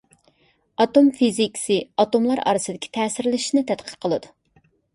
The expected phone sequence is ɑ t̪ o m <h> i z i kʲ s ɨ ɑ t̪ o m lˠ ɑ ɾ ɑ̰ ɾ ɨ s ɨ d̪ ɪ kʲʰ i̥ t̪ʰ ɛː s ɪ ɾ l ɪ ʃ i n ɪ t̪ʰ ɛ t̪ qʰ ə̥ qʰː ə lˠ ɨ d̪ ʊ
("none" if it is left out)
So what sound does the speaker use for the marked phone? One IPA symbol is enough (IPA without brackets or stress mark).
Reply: f